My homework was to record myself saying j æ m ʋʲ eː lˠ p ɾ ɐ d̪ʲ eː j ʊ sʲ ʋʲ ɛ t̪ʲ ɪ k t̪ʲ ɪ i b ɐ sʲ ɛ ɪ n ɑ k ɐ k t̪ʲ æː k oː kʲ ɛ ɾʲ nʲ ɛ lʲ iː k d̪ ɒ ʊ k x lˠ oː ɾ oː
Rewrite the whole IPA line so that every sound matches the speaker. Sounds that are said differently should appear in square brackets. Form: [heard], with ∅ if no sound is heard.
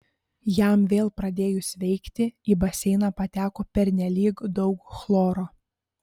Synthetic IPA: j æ m ʋʲ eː lˠ p ɾ ɐ d̪ʲ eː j ʊ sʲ ʋʲ ɛ [∅] ɪ k t̪ʲ ɪ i b ɐ sʲ ɛ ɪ n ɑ [p] ɐ [∅] t̪ʲ æː k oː [pʲ] ɛ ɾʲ nʲ ɛ lʲ iː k d̪ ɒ ʊ k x lˠ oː ɾ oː